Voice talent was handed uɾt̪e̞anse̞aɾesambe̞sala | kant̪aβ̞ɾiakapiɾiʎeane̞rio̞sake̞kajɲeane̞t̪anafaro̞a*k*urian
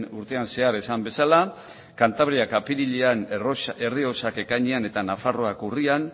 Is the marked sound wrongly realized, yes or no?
no